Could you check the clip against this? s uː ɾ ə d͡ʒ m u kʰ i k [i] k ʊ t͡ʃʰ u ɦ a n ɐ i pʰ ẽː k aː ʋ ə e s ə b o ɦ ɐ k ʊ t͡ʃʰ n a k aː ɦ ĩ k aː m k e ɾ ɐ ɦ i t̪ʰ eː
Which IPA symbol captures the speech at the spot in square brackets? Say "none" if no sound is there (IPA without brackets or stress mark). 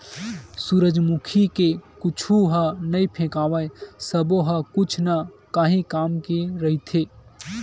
e